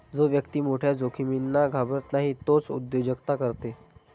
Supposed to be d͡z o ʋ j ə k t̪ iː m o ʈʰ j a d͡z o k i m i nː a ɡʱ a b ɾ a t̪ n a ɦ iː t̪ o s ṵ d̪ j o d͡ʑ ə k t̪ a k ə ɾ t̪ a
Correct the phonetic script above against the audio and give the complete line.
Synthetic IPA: d͡z o ʋ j ə k t̪ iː m o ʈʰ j a d͡z o kʰ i m i nː a ɡʱ a b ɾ ə t̪ n a ɦ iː t̪ o t͡s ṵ d̪ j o d͡ʑ ə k t̪ a k ə ɾ t̪ e